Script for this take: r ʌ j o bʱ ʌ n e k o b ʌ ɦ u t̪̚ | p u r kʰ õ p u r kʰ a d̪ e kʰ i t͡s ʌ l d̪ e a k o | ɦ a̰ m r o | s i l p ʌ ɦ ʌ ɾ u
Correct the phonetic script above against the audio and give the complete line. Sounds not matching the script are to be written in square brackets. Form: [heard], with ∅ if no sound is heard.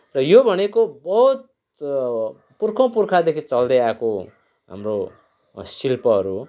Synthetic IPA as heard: r ʌ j o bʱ ʌ n e k o b ʌ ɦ u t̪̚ | p u r kʰ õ p u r kʰ a d̪ e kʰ i t͡s ʌ l d̪ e a k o | ɦ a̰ m r o | s i l p ʌ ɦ ʌ ɾ u